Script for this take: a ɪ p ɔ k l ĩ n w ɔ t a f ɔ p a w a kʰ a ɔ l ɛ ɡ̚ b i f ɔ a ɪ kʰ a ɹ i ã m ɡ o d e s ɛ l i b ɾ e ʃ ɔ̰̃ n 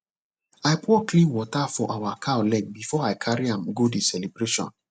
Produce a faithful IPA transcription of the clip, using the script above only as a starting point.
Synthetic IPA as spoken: a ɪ p ɔ k l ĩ n w ɔ t a f ɔ ʔ a w a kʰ a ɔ l ɛ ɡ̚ b i f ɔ a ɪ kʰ a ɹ i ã m ɡ o d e s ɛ l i b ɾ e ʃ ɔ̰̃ n